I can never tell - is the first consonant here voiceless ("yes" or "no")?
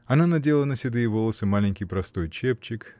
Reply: no